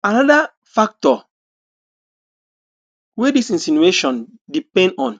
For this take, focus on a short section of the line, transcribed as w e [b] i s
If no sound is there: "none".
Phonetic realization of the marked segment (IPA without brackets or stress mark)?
d